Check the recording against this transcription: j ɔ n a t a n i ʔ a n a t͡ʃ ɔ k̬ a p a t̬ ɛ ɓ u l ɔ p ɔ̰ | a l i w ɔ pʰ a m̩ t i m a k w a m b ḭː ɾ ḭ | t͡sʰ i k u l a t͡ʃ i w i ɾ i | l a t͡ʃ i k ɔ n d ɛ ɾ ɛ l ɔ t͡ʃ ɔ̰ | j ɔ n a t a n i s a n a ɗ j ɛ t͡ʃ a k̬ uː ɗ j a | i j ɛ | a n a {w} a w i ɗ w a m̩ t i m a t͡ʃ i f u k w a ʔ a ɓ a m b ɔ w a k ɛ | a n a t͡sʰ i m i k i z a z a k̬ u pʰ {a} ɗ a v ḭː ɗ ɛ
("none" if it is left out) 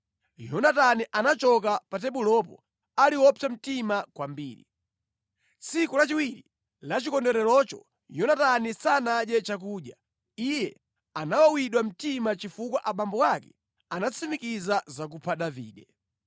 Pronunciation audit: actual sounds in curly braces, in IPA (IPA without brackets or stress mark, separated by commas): w, a